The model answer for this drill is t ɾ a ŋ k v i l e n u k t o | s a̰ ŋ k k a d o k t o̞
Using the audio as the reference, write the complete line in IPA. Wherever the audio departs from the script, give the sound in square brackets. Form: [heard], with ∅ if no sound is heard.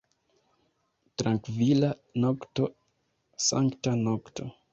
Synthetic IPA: t ɾ a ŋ k v i l [a] n [o] k t o | s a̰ ŋ k [t] a [n] o k t o̞